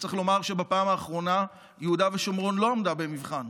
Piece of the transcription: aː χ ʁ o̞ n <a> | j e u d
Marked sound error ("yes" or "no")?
no